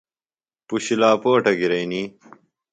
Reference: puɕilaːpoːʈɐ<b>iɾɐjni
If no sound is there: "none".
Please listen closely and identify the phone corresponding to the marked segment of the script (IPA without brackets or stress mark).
ɡ